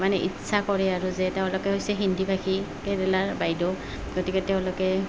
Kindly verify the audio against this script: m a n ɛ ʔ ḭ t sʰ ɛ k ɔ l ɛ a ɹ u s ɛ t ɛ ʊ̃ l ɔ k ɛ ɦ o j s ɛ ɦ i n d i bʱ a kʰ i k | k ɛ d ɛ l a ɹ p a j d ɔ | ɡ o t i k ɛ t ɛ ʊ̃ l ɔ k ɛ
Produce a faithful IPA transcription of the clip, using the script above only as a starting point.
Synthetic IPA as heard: m a n ɛ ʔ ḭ t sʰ a k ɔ ɹ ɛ a ɹ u z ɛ t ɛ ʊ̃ l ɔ k ɛ ɦ o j s ɛ ɦ i n d i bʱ a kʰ i | k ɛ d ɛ l a ɹ b a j d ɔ | ɡ o t i k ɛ t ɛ ʊ̃ l ɔ k ɛ

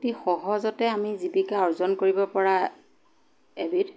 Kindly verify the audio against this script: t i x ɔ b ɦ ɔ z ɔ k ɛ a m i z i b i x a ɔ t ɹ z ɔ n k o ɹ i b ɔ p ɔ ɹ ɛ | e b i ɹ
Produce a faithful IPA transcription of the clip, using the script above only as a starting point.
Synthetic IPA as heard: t i x ɔ ɦ ɔ z ɔ t ɛ a m i z i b i k a ɔ ɹ z ɔ n k o ɹ i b ɔ p ɔ ɹ a | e b i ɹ

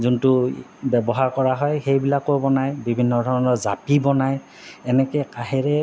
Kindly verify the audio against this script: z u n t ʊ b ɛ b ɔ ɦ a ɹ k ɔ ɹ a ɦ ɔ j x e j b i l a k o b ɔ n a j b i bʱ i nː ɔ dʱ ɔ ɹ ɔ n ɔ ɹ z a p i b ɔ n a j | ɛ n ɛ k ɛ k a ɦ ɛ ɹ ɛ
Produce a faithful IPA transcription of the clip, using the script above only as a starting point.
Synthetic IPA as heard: z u n t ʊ b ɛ b ɔ ɦ a ɹ k ɔ ɹ a ɦ ɔ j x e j b i l a k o b ɔ n a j b i bʱ i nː ɔ dʱ ɔ ɹ ɔ n ɔ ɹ z a p i b ɔ n a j | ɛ n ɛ k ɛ k a ɦ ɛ ɹ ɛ

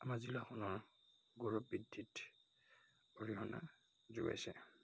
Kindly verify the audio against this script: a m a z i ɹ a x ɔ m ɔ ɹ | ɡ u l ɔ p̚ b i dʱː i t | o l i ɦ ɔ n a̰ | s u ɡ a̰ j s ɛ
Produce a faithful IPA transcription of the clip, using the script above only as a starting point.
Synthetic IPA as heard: a m a z i l a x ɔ n ɔ ɹ | ɡ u ɹ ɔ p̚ b i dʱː i t | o ɹ i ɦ ɔ n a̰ | z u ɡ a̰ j s ɛ

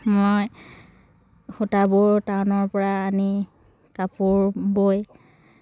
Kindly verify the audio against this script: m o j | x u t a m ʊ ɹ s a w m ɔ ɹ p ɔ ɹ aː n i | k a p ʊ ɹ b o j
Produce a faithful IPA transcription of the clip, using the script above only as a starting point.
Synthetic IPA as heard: m o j | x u t a b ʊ ɹ t a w n ɔ ɹ p ɔ ɹ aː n i | k a p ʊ ɹ b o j

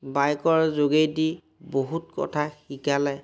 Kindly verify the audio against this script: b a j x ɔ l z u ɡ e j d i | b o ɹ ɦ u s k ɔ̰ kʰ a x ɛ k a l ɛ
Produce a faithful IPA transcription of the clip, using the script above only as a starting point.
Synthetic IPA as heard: b a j k ɔ ɹ z o ɡ e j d i | b o ɦ u t k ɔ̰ tʰ a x i k a l ɛ

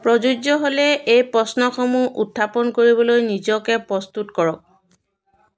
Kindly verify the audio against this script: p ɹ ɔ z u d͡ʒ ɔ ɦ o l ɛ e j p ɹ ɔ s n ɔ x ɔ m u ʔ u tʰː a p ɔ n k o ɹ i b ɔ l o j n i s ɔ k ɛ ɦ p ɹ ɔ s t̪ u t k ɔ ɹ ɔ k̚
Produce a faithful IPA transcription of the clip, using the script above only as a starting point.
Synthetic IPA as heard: p ɹ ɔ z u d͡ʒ ɔ ɦ o l ɛ e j p ɹ ɔ s n ɔ x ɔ m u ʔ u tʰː a p ɔ n k o ɹ i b ɔ l o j n i z ɔ k ɛ p ɹ ɔ s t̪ u t k ɔ ɹ ɔ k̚

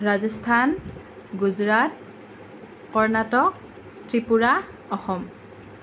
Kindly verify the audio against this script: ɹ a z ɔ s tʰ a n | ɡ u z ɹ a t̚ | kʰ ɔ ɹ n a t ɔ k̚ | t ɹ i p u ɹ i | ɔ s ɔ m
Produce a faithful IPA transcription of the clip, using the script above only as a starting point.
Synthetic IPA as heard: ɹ a z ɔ s tʰ a n | ɡ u z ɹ a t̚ | k ɔ ɹ n a t ɔ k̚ | t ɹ i p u ɹ a | ɔ x ɔ m

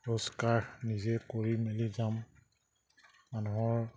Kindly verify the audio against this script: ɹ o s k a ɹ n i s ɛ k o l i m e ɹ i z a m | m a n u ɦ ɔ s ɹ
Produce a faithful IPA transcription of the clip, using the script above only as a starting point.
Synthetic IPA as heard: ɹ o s k a ɹ n i z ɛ k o ɹ i m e l i z a m | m a n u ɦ ɔ ɹ

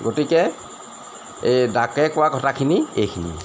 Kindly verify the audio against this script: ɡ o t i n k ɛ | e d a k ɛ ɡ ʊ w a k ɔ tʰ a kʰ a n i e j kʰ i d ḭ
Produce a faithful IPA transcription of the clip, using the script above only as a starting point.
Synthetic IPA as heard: ɡ o t i k ɛ | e d a k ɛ k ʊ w a k ɔ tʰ a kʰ i n i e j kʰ i n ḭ

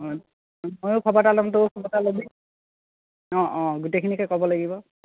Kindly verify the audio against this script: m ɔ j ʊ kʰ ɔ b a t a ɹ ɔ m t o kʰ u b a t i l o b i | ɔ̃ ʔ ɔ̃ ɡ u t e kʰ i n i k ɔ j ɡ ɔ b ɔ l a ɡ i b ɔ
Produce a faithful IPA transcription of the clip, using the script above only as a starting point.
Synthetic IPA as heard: m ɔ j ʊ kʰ ɔ b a t a l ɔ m t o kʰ ɔ b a t a l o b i | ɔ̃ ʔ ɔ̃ ɡ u t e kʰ i n i k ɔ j k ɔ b ɔ l a ɡ i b ɔ

